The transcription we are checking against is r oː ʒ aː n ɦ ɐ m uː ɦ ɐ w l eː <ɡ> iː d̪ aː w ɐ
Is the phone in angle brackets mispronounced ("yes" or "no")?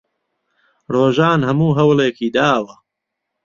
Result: yes